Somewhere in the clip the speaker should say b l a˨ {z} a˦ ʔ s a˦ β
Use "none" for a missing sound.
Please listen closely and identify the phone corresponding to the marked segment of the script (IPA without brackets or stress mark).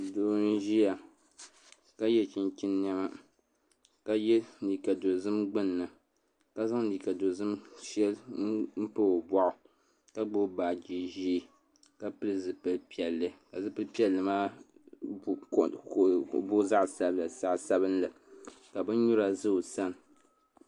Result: s